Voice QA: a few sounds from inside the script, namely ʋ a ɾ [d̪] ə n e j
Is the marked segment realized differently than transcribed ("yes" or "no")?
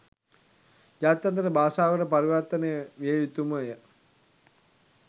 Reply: yes